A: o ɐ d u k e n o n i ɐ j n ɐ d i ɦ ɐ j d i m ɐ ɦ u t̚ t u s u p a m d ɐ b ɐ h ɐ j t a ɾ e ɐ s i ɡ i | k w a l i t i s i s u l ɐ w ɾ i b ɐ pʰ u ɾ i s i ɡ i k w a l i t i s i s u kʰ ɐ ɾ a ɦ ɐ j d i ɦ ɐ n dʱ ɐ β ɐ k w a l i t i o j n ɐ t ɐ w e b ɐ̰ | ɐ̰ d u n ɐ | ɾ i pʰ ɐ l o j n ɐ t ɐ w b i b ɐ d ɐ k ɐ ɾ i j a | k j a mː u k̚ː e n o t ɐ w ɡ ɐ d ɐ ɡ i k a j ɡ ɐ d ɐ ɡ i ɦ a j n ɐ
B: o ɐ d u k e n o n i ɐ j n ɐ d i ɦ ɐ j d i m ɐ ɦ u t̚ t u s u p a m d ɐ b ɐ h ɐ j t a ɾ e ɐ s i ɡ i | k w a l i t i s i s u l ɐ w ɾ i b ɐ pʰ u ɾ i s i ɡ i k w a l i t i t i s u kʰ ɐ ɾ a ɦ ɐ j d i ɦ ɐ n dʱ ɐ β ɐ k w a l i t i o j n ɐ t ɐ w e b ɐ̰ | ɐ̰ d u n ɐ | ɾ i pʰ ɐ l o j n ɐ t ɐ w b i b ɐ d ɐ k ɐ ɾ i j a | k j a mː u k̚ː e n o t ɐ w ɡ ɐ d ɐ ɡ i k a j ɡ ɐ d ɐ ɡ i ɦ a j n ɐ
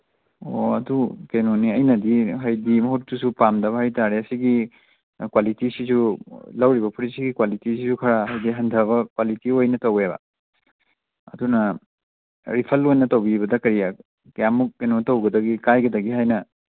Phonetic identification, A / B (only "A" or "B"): A